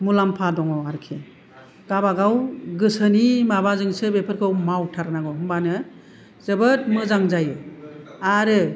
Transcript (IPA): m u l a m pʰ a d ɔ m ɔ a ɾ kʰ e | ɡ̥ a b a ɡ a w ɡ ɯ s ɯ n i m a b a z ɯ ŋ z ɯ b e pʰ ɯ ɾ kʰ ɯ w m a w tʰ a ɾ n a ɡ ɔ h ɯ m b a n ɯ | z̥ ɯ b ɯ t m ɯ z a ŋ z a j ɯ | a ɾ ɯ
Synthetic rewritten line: m u l a m pʰ a d ɔ ŋ ɔ a ɾ kʰ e | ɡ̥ a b a ɡ a w ɡ ɯ s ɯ n i m a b a z ɯ ŋ s ɯ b e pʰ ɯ ɾ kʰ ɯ w m a w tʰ a ɾ n a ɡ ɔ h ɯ m b a n ɯ | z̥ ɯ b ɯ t m ɯ z a ŋ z a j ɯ | a ɾ ɯ

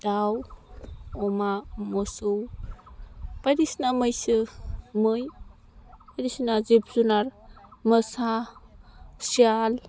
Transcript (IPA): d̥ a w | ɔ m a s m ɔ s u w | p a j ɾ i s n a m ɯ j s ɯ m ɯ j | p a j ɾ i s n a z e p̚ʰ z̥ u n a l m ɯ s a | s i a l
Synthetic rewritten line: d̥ a w | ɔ m a m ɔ s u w | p a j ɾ i s n a m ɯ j s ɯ m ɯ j | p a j ɾ i s n a z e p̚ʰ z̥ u n a ɾ m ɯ s a | s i a l

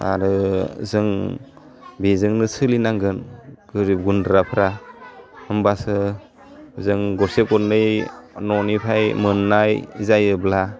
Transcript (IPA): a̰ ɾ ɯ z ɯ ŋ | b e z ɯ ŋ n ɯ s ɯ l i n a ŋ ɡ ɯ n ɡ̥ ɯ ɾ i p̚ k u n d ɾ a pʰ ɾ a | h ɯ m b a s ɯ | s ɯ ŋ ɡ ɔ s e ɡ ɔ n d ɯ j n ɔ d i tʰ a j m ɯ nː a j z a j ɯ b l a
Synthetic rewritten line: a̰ ɾ ɯ z ɯ ŋ | b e z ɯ ŋ n ɯ s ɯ l i n a ŋ ɡ ɯ n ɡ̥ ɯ ɾ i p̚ ɡ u n d ɾ a pʰ ɾ a | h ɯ m b a s ɯ | z ɯ ŋ ɡ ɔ s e k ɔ n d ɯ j n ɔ n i pʰ a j m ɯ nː a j z a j ɯ b l a

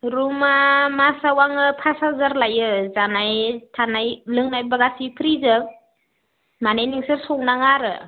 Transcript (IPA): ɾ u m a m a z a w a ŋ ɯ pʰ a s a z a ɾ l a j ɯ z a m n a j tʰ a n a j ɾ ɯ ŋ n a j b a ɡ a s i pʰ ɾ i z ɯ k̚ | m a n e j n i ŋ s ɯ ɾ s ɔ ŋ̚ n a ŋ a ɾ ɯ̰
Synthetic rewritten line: ɾ u m a m a s a w a ŋ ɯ pʰ a s a z a ɾ l a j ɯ z a n a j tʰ a n a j l ɯ ŋ n a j b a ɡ a s i pʰ ɾ i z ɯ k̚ | m a n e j n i ŋ s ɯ ɾ s ɔ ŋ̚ n a ŋ a ɾ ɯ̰

